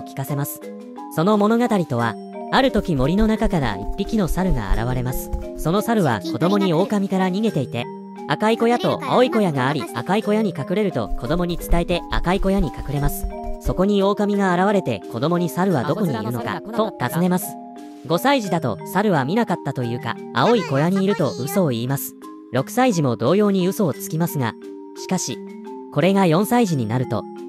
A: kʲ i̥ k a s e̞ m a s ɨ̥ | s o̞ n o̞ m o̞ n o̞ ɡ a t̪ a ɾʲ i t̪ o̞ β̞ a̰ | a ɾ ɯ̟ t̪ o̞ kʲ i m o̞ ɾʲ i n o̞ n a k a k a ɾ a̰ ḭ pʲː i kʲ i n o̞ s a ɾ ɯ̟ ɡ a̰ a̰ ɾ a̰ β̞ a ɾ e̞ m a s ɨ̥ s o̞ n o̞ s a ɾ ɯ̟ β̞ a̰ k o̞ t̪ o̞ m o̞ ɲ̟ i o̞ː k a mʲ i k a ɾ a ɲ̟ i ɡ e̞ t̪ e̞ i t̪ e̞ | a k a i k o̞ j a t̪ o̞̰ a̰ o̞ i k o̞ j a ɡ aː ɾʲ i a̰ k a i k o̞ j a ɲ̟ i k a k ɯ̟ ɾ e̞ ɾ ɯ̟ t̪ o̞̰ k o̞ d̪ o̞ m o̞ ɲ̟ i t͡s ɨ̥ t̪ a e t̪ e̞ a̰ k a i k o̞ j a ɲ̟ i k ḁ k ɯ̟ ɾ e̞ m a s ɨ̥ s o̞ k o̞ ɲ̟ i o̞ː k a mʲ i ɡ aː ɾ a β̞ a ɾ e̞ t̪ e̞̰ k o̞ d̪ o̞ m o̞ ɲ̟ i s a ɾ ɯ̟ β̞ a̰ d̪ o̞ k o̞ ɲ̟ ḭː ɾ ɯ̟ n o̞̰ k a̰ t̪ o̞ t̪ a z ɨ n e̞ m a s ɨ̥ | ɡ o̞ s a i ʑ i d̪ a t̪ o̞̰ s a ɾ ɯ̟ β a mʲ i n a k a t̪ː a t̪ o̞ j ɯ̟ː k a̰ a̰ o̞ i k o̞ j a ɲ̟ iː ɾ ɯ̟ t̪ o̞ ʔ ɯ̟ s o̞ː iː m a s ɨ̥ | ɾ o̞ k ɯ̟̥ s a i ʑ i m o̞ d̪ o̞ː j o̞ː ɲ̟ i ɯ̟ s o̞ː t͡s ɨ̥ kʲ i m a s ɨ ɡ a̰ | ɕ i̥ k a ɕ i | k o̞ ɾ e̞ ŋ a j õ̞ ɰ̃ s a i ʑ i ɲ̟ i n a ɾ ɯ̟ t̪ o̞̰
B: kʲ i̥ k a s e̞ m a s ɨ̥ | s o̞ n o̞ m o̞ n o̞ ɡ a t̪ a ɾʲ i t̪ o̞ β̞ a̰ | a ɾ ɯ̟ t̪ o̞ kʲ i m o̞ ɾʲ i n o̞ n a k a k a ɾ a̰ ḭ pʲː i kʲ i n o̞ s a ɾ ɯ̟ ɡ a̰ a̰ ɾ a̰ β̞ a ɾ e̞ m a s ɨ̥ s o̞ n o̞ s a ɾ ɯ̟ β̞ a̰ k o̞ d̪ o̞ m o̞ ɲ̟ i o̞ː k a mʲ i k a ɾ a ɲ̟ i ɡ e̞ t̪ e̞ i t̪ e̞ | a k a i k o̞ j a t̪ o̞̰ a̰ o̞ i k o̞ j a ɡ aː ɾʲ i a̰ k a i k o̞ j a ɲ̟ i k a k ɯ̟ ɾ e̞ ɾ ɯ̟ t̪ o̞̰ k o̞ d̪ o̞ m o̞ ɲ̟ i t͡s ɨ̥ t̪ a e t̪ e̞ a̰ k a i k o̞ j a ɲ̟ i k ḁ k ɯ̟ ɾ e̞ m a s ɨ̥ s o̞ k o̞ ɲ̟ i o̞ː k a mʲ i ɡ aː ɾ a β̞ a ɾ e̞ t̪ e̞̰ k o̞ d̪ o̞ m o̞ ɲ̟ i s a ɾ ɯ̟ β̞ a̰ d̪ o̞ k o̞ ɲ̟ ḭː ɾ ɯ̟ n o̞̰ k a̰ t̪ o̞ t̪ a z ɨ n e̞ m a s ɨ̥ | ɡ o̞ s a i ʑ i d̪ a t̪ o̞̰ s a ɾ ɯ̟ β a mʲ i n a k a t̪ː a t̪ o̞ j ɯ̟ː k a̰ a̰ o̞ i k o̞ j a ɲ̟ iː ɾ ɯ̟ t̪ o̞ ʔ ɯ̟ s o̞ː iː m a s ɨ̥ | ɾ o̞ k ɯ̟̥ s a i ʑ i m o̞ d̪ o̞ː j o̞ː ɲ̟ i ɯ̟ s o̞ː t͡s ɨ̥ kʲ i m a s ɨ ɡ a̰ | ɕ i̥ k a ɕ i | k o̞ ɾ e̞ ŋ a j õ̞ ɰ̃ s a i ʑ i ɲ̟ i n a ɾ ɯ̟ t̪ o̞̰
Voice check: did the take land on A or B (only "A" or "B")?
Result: B